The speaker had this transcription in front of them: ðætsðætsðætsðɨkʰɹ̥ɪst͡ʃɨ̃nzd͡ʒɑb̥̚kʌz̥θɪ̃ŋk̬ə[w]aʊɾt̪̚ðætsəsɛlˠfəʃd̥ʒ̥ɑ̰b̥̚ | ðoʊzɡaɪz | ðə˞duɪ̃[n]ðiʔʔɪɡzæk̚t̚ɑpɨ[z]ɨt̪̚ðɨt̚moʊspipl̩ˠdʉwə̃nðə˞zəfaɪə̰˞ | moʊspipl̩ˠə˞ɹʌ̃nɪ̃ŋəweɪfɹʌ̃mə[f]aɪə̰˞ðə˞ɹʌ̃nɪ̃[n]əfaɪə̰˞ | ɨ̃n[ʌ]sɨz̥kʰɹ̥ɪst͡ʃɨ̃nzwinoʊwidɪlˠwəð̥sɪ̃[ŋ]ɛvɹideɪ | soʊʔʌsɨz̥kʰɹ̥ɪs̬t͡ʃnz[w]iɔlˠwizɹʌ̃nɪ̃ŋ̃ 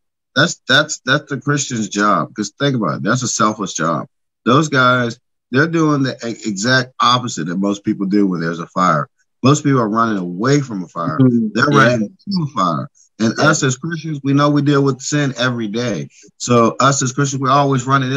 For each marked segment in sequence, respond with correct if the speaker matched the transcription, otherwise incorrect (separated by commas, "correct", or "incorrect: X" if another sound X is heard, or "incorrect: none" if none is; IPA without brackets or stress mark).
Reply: incorrect: b, incorrect: ŋ, correct, correct, incorrect: ŋ, correct, incorrect: n, correct